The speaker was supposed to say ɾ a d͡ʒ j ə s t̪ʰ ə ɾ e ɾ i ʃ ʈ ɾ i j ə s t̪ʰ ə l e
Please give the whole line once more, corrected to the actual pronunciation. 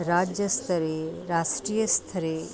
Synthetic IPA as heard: ɾ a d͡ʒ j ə s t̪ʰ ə ɾ e ɾ a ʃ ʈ ɾ i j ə s t̪ʰ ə ɾ e